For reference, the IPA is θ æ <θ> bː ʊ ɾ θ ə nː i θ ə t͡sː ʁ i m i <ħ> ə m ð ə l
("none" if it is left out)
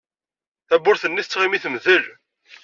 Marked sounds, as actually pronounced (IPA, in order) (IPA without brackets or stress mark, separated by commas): none, θ